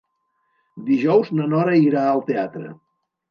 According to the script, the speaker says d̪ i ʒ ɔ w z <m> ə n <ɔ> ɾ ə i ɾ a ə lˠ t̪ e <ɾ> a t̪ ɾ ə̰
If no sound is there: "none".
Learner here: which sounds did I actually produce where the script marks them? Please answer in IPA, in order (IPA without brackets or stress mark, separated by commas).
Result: n, ɔ, none